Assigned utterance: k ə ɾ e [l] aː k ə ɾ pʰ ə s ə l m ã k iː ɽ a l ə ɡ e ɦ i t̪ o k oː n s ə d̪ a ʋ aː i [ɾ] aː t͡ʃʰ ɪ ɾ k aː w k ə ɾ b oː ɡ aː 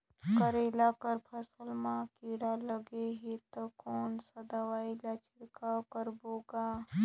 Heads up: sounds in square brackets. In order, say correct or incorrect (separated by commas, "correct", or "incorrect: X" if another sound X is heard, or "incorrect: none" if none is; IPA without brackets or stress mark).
correct, incorrect: l